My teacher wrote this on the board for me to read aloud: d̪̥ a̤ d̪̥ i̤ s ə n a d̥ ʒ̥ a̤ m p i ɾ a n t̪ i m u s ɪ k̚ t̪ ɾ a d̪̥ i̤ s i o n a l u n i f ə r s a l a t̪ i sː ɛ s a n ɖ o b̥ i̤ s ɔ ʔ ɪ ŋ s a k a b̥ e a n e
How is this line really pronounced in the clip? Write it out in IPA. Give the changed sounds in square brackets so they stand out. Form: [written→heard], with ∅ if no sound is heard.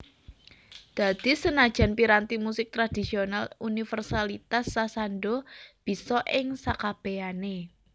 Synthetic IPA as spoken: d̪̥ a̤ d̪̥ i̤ s ə n a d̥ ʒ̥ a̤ [m→n] p i ɾ a n t̪ i m u s ɪ k̚ t̪ ɾ a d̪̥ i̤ s i o n a l u n i f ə r s a l [a→i] t̪ [i→a] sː [ɛ→a] s a n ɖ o b̥ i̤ s ɔ ʔ ɪ ŋ s a k a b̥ e a n e